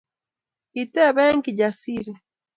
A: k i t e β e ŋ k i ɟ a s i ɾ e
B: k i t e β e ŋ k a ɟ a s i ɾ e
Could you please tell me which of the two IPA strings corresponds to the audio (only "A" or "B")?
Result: A